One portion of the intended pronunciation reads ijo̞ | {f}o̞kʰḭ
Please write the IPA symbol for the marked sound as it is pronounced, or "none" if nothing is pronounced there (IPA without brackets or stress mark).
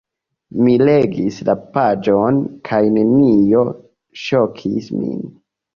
ʃ